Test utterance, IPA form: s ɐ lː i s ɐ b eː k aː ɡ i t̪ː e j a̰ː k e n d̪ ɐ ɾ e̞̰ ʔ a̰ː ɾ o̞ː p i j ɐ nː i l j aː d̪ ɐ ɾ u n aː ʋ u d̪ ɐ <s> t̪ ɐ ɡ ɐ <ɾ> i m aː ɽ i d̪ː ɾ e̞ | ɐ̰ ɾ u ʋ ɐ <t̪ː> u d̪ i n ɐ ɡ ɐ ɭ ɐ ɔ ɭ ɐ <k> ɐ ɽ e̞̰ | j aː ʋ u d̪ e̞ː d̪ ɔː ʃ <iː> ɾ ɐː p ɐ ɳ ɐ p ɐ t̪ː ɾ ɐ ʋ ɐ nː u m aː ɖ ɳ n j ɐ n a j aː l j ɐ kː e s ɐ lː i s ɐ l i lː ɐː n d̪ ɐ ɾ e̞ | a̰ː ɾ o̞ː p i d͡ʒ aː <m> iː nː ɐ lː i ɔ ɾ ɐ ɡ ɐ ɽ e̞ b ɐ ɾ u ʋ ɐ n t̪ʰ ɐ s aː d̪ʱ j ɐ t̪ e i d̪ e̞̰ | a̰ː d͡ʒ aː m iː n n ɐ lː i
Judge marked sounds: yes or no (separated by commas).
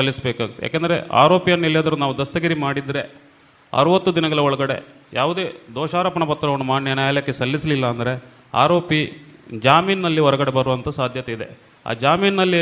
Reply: yes, yes, yes, no, no, yes